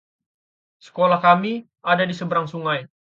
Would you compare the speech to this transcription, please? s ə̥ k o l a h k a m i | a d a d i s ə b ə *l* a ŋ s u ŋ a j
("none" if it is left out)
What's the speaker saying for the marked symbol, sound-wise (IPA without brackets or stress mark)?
ɾ